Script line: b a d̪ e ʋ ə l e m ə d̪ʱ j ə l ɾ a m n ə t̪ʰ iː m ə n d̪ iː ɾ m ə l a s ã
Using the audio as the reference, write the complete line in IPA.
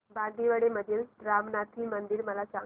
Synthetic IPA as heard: b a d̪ i ʋ ə ɽ e m ə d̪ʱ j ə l ɾ a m n a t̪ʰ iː m ə n d̪ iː ɾ m ə l a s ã